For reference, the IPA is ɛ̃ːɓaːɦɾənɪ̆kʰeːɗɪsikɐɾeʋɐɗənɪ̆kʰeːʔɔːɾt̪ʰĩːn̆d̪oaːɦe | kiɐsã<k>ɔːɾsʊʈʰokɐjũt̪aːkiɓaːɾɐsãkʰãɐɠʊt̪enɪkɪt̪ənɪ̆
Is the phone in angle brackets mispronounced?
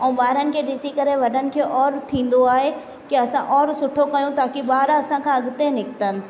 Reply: yes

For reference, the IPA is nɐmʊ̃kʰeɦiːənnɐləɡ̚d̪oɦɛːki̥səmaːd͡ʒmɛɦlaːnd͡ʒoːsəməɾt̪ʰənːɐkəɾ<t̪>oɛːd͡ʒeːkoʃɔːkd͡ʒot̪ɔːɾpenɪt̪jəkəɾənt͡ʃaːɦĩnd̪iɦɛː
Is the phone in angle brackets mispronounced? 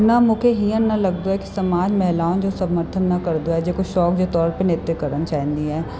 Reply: yes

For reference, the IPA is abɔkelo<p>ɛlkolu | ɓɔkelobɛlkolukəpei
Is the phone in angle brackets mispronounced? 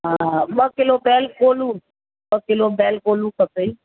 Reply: yes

